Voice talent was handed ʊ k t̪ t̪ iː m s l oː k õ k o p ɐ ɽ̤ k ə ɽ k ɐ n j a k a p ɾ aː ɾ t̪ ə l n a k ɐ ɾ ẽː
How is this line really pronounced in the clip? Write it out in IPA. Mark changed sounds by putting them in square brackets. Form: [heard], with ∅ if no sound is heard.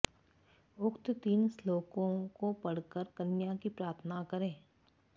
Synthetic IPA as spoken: ʊ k t̪ t̪ iː [n] s l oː k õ k o p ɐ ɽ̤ k ə [ɾ] k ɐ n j a k [i] p ɾ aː ɾ [t̪ʰ] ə [∅] n a k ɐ ɾ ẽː